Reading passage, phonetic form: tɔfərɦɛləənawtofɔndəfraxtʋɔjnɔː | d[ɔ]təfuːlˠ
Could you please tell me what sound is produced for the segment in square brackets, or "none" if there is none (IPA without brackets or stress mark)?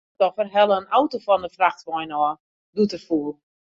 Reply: u